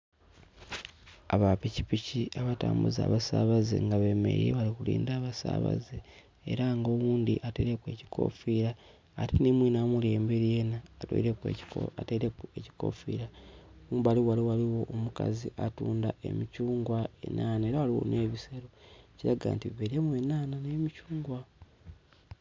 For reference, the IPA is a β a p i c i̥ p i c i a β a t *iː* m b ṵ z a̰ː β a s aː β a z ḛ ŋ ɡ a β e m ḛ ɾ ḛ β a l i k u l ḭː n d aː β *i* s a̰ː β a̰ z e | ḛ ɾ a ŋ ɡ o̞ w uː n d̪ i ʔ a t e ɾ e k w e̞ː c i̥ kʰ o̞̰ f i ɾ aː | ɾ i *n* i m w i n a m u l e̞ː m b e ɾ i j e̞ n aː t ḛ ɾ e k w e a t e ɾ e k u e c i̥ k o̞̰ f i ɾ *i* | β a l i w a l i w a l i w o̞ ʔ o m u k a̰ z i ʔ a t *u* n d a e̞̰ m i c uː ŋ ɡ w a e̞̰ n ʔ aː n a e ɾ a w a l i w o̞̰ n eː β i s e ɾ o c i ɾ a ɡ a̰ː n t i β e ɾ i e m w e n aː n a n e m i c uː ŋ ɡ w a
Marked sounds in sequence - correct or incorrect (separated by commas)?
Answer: incorrect, incorrect, correct, incorrect, incorrect